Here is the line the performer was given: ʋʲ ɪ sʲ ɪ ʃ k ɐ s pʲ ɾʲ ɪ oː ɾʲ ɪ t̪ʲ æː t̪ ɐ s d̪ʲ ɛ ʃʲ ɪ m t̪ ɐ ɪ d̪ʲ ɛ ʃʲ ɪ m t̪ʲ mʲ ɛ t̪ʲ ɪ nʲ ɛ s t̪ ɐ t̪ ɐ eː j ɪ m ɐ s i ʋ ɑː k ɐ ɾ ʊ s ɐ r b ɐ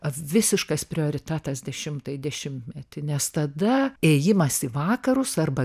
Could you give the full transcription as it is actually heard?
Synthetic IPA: ʋʲ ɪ sʲ ɪ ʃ k ɐ s pʲ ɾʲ ɪ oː ɾʲ ɪ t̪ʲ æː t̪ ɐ s d̪ʲ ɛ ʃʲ ɪ m t̪ ɐ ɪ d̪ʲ ɛ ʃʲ ɪ m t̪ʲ mʲ ɛ t̪ʲ ɪ nʲ ɛ s t̪ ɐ d̪ ɐ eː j ɪ m ɐ s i ʋ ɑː k ɐ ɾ ʊ s ɐ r b ɐ